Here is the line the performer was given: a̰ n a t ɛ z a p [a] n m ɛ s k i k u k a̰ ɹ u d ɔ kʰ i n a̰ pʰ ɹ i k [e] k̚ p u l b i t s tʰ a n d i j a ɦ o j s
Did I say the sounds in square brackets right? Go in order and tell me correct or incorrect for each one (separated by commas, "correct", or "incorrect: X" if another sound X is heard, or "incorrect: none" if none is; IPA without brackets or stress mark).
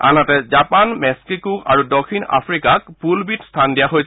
correct, incorrect: a